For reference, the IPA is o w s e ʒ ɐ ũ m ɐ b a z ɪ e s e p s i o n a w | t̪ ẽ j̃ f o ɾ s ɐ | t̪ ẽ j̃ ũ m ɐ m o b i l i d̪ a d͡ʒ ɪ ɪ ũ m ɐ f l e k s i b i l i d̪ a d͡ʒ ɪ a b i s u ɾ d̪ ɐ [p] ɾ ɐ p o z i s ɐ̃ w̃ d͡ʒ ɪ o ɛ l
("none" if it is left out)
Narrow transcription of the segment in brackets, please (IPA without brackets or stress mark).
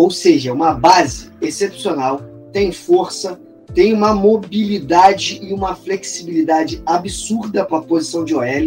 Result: p